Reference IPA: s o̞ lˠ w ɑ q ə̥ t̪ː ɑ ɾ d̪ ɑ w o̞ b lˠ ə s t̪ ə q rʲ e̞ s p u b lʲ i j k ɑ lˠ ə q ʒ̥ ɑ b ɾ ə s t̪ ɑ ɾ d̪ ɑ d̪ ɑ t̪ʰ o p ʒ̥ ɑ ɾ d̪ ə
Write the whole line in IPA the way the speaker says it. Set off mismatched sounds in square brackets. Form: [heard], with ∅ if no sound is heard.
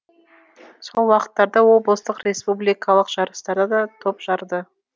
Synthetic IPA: s o̞ lˠ w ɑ q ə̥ t̪ː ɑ ɾ d̪ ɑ w o̞ b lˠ ə s t̪ ə q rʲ e̞ s p u b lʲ i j k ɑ lˠ ə q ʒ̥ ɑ [∅] ɾ ə s t̪ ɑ ɾ d̪ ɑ d̪ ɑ t̪ʰ o p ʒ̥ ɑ ɾ d̪ ə